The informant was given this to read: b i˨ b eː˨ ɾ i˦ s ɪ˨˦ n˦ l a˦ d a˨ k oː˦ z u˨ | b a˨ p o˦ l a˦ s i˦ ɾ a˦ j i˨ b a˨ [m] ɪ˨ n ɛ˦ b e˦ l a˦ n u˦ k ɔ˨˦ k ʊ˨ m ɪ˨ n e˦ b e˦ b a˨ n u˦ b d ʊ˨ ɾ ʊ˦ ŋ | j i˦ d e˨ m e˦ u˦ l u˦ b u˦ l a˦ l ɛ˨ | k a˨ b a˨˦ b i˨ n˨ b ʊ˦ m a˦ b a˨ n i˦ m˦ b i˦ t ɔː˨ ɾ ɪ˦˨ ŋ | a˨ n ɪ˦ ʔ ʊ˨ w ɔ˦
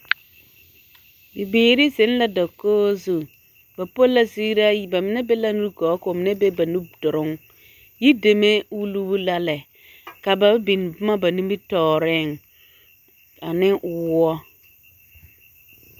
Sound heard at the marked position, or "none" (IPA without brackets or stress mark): m